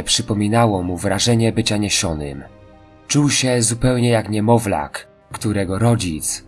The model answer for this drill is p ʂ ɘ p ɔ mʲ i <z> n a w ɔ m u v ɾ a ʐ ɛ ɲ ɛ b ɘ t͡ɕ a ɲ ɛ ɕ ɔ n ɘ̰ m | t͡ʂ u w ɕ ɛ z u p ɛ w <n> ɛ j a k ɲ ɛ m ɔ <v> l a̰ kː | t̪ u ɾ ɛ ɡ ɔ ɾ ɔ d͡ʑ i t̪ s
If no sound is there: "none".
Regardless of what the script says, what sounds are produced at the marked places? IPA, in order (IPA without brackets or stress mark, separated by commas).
none, ɲ, v